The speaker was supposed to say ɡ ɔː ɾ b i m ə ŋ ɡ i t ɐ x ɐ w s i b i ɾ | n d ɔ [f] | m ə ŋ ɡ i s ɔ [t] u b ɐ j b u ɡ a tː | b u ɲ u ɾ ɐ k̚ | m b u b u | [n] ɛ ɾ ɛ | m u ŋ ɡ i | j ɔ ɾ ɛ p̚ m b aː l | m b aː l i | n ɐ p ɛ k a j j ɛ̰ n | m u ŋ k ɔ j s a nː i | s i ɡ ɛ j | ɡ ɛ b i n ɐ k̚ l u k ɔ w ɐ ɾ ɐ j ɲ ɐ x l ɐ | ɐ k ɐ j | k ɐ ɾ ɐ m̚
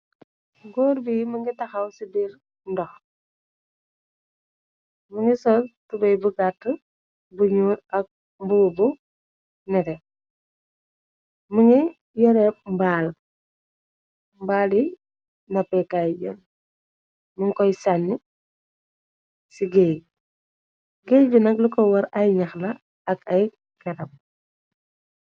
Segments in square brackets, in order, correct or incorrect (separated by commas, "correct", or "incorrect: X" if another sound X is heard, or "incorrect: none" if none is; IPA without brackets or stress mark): incorrect: x, correct, correct